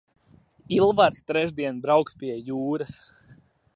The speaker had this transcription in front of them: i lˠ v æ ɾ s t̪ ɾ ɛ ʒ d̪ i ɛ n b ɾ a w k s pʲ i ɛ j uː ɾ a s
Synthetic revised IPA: i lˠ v a ɾ s t̪ ɾ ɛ ʒ d̪ i ɛ n b ɾ a w k s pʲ i ɛ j uː ɾ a s